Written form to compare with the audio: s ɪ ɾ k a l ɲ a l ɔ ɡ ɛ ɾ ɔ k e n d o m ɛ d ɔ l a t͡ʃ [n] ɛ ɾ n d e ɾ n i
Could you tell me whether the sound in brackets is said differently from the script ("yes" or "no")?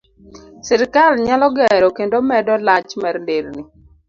yes